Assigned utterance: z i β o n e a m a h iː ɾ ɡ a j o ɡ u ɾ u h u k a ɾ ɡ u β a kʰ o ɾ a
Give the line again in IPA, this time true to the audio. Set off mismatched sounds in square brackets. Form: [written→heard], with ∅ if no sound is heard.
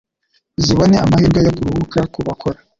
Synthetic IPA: z i β o n e a m a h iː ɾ ɡ a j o ɡ u ɾ u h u k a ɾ [ɡ→k] u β a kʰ o ɾ a